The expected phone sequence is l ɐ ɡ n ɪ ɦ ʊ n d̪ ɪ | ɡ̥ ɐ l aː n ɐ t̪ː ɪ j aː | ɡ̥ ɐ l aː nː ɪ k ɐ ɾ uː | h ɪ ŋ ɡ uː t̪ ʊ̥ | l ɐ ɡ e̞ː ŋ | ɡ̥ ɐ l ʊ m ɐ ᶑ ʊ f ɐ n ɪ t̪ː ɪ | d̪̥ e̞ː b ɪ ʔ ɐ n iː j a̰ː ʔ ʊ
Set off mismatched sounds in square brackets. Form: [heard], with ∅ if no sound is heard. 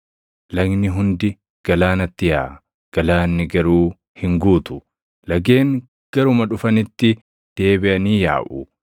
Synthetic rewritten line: l ɐ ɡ n ɪ ɦ ʊ n d̪ ɪ | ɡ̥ ɐ l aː n ɐ t̪ː ɪ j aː | ɡ̥ ɐ l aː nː ɪ [ɡ] ɐ ɾ uː | h ɪ ŋ ɡ uː t̪ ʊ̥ | l ɐ ɡ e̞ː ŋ | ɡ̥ ɐ [ɾ] ʊ m ɐ ᶑ ʊ f ɐ n ɪ t̪ː ɪ | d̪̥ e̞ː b ɪ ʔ ɐ n iː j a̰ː ʔ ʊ